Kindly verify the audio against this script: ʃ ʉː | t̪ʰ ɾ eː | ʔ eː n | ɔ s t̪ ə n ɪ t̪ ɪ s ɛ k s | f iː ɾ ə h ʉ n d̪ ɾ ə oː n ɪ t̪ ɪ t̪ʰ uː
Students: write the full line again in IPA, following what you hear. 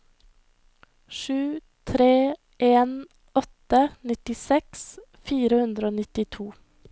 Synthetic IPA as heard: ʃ ʉː | t̪ʰ ɾ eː | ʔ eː n | ɔ t̪ ə n ɪ t̪ ɪ s ɛ k s | f iː ɾ ə h ʉ n d̪ ɾ ə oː n ɪ t̪ ɪ t̪ʰ uː